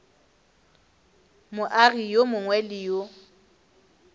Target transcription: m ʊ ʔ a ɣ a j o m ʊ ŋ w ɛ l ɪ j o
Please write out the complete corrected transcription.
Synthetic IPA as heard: m ʊ ʔ a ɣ i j o m ʊ ŋ w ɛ l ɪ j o